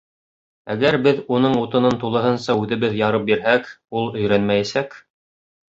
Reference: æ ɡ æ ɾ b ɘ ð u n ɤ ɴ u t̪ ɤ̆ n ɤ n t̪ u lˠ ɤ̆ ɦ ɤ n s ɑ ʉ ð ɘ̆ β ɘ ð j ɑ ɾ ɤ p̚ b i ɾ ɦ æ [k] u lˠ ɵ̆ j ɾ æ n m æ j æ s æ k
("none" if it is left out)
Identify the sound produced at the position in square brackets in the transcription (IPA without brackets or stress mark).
k